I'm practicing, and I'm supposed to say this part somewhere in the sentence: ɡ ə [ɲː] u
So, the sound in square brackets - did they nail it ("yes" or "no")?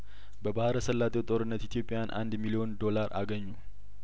yes